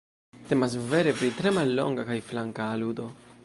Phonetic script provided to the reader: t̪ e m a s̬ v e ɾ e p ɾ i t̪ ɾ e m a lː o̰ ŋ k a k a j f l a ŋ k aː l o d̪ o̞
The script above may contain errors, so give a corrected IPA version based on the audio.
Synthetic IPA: t̪ e m a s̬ v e ɾ e p ɾ i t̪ ɾ e m a lː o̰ ŋ ɡ a k a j f l a ŋ k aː l u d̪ o̞